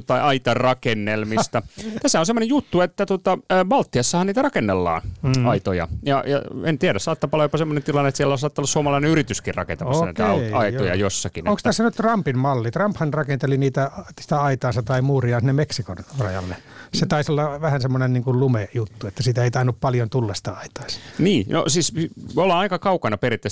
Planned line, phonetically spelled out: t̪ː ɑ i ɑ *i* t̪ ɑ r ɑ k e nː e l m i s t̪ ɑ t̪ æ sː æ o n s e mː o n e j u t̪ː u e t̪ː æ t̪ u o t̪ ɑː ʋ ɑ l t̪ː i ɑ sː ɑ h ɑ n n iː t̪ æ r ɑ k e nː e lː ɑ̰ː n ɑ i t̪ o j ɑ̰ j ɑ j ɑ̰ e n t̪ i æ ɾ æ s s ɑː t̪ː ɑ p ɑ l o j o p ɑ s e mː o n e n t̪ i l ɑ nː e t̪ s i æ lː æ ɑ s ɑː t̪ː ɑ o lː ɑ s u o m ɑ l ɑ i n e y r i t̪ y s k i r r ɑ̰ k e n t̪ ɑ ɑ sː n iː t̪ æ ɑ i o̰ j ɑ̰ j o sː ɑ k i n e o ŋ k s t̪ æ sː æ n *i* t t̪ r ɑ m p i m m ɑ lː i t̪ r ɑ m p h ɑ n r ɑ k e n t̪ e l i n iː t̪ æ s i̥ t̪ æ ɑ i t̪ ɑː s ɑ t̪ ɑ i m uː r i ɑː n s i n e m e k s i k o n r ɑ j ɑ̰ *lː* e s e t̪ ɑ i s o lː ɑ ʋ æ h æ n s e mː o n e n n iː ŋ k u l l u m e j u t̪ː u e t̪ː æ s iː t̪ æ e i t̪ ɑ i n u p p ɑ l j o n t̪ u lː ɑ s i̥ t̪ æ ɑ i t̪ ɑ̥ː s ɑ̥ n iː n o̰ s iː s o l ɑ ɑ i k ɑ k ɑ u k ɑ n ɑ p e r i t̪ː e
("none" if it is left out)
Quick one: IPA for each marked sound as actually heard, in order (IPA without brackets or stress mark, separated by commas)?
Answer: i, y, lː